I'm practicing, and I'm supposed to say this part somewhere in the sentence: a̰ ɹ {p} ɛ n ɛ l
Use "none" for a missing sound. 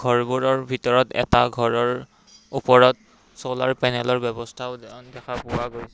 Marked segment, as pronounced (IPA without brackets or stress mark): p